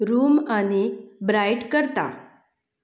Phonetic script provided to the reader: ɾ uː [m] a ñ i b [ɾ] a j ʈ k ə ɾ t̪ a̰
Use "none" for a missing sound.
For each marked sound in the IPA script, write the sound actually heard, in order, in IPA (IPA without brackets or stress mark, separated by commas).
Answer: m, ɾ